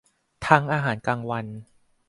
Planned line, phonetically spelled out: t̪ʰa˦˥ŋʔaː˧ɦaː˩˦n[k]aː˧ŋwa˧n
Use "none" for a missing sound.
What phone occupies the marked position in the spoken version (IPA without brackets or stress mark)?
k